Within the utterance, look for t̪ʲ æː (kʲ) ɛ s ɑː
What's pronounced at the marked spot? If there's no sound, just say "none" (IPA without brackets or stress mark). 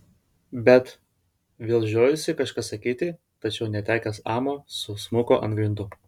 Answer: kʲ